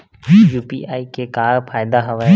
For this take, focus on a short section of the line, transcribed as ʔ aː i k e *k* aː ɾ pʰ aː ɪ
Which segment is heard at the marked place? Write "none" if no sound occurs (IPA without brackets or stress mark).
k